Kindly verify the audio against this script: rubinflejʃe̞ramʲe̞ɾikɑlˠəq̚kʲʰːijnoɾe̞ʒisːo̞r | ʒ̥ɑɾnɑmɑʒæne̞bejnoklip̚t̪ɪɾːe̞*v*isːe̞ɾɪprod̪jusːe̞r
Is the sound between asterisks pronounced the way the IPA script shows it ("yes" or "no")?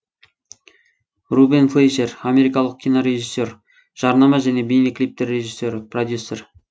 no